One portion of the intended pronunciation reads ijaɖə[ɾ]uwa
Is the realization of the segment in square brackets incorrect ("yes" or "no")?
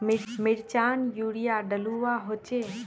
yes